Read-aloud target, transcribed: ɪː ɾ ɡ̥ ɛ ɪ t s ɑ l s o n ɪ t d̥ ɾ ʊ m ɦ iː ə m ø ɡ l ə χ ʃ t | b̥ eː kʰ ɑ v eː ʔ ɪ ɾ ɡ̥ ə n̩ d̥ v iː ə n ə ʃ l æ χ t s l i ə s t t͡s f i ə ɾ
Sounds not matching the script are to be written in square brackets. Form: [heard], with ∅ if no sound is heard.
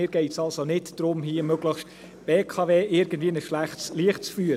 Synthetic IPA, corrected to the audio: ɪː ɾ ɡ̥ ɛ ɪ t s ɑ l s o n ɪ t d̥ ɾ ʊ m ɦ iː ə m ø ɡ l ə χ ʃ t | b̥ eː kʰ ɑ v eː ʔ ɪ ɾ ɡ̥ ə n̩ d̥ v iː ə n ə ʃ l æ χ t s l i ə [χ] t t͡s f [y] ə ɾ

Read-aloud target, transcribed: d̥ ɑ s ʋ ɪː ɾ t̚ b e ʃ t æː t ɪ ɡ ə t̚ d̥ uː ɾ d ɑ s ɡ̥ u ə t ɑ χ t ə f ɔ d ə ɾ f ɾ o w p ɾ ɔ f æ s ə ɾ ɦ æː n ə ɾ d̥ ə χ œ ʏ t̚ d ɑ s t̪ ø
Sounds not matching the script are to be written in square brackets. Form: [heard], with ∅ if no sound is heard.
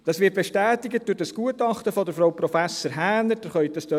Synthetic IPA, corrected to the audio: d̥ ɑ s ʋ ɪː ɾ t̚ b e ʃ t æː t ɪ ɡ ə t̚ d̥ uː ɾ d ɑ s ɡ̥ u ə t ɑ χ t ə f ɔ d ə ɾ f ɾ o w p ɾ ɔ f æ s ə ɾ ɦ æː n ə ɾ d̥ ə χ œ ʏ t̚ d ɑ s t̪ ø

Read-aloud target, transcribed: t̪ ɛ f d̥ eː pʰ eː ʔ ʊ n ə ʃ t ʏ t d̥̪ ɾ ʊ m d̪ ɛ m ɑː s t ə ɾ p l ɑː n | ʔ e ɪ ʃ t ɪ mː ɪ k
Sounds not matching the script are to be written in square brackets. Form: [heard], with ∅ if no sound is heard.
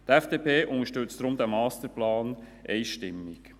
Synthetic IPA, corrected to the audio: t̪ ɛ f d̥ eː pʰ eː ʔ ʊ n ə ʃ t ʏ [t͡s] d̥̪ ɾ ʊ m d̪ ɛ m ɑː s t ə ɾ p l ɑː n | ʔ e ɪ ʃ t ɪ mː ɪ k

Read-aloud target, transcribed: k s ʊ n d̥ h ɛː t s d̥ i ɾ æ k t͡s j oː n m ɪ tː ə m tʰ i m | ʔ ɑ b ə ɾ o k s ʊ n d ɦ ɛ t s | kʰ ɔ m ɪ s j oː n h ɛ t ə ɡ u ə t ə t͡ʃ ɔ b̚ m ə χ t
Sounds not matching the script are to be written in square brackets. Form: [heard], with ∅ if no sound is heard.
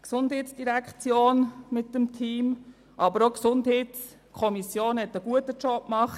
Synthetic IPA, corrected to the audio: k s ʊ n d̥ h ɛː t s d̥ i ɾ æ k t͡s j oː n m ɪ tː ə m tʰ [iː] m | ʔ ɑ b ə ɾ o k s ʊ n d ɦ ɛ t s | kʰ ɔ m [i] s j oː n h ɛ t ə ɡ u ə t ə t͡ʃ ɔ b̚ m [ɑ] χ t

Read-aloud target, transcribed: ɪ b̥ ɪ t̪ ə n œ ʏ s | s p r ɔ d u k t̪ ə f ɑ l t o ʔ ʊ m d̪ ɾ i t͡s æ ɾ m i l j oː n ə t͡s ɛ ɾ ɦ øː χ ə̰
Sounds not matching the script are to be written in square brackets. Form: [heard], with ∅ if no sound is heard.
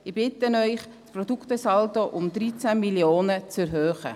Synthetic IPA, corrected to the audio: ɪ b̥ ɪ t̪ ə n œ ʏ [χ] | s p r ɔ d u k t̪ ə [s] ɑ l t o ʔ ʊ m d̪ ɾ i t͡s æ [∅] m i l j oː n ə t͡s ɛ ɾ ɦ øː χ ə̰

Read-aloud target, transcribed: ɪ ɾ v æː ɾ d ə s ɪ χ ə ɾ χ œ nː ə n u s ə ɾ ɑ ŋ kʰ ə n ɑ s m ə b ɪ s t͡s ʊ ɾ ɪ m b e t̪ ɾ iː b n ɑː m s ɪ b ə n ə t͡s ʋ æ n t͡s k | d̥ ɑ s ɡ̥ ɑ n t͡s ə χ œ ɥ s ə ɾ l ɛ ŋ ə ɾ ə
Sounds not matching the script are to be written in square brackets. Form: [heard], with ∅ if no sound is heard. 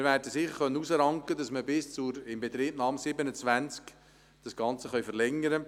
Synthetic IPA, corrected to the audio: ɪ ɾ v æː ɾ d ə s ɪ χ ə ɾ χ œ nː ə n u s ə ɾ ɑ ŋ [k] ə [d] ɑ s m ə b ɪ s t͡s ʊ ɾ ɪ m b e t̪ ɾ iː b n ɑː m s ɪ b ə n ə t͡s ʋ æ n t͡s k | d̥ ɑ s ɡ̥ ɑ n t͡s ə χ œ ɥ [f] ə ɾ l ɛ ŋ ə ɾ ə

